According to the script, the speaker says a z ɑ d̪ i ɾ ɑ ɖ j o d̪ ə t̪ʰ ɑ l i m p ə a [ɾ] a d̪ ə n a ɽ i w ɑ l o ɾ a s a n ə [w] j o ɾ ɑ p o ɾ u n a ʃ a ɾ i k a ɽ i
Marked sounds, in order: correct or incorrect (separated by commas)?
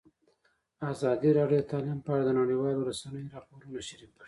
incorrect, incorrect